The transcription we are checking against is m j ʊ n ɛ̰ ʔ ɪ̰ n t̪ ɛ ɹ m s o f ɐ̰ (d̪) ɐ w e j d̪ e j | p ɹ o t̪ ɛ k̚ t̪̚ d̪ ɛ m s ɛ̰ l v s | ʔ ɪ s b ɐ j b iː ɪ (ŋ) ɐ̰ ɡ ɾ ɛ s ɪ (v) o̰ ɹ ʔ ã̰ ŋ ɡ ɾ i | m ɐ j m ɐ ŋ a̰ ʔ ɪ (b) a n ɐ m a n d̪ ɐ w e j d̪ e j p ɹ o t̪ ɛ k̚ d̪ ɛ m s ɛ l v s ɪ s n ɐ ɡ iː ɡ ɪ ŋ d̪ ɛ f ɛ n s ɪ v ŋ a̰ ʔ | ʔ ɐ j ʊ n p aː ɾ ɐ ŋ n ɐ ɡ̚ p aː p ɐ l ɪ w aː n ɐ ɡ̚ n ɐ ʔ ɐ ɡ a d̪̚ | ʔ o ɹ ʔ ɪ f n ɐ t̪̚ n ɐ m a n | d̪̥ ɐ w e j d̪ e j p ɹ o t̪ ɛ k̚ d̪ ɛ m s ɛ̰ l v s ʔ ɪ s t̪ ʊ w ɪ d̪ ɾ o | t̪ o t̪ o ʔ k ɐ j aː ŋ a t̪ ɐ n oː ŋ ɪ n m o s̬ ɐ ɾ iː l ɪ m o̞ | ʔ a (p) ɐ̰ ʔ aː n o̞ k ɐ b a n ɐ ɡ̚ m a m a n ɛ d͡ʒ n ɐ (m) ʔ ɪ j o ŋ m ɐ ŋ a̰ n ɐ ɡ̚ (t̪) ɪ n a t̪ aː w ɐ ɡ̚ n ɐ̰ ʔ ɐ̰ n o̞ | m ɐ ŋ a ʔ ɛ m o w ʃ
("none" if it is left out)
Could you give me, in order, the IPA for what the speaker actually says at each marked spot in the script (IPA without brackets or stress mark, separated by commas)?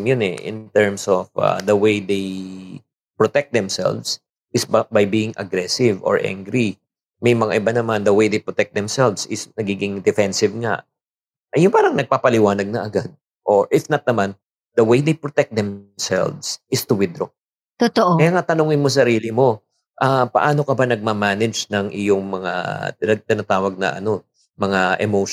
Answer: d̪, ŋ, v, b, p, ŋ, t̪